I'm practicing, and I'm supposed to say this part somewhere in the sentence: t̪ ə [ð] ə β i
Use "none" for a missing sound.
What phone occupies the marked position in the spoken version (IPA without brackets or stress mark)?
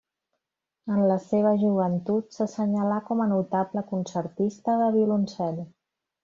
ð